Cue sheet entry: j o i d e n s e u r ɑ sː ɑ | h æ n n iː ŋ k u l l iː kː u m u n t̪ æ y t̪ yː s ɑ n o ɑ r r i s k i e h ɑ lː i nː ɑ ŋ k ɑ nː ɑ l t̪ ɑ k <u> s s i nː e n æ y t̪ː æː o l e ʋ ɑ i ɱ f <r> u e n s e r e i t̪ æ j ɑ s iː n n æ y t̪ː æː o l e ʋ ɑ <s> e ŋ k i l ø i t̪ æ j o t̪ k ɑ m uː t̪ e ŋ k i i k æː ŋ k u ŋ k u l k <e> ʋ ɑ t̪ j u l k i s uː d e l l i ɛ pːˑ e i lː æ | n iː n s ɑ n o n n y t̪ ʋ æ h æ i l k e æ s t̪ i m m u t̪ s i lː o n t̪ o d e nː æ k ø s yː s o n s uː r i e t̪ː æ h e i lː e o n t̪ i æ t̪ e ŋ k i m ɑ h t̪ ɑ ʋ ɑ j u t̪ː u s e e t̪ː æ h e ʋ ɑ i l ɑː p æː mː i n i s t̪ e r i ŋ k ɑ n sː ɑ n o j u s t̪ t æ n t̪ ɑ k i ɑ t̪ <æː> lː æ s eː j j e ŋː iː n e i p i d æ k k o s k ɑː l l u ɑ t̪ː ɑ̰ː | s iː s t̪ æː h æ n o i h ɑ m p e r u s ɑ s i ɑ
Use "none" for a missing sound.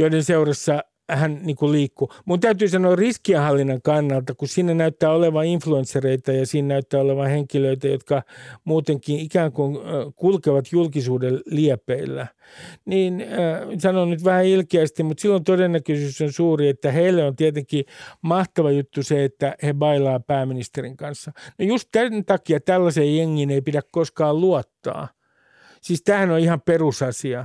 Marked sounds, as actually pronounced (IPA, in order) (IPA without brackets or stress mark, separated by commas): u, l, h, e, æ